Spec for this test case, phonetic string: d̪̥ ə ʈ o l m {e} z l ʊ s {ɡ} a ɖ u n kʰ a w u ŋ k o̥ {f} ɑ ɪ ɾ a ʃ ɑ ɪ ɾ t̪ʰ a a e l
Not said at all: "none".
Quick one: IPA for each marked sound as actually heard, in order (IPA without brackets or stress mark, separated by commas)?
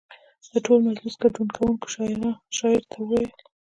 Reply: a, ɡ, ʃ